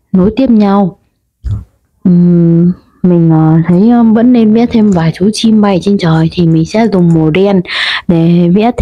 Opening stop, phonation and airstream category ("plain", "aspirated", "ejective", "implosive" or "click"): plain